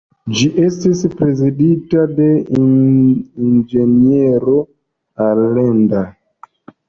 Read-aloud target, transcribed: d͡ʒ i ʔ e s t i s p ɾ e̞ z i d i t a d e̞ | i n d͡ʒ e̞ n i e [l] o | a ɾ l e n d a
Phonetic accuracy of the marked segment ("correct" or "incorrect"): incorrect